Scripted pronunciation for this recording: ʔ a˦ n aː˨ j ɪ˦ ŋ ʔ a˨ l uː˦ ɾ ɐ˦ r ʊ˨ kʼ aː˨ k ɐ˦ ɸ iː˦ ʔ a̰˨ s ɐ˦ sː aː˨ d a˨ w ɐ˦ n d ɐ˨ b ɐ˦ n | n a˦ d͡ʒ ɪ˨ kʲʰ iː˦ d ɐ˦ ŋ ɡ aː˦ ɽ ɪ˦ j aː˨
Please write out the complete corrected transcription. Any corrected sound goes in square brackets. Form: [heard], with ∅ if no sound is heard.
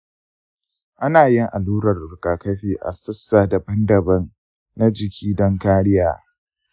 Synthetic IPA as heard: ʔ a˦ n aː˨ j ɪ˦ ŋ ʔ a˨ l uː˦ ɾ [ɐ˨] r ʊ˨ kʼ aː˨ k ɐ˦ ɸ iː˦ ʔ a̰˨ s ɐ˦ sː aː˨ d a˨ [b] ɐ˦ n d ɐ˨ b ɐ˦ n | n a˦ d͡ʒ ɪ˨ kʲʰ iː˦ d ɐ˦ ŋ [k] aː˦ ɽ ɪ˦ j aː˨